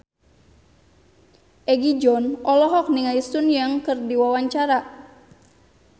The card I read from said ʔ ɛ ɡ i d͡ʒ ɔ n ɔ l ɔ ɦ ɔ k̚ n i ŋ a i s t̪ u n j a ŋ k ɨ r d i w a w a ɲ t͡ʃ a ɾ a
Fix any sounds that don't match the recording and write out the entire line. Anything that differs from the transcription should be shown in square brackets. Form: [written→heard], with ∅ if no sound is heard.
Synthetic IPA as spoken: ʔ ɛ ɡ i d͡ʒ ɔ n ɔ l ɔ ɦ ɔ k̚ n i ŋ a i s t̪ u n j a ŋ k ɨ r d i w a w a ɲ t͡ʃ a ɾ a